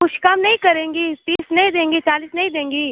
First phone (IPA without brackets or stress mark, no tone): ʊ